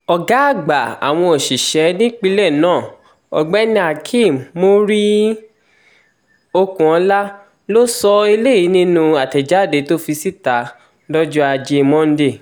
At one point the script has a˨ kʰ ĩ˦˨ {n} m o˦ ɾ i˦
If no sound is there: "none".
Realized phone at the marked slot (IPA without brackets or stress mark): m